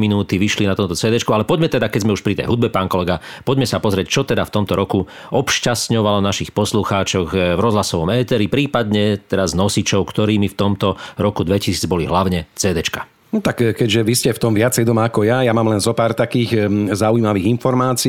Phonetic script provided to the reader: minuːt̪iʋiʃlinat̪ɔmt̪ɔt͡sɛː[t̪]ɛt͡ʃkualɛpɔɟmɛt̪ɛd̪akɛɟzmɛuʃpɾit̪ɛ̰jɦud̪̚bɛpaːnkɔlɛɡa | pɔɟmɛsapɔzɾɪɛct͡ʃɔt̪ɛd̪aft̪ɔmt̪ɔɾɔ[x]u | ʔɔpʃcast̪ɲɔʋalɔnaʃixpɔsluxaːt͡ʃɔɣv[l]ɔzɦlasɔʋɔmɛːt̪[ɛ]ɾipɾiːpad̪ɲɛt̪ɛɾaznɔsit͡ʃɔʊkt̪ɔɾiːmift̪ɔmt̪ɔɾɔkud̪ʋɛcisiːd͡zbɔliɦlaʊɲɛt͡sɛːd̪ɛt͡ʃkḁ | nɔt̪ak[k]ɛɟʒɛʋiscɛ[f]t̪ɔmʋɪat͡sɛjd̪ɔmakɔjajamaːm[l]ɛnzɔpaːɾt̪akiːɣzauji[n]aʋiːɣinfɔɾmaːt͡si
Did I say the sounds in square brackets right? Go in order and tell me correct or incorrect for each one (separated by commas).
incorrect, incorrect, incorrect, correct, correct, correct, correct, incorrect